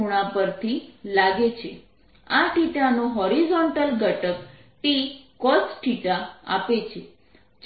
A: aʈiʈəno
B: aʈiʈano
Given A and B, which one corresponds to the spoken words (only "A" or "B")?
B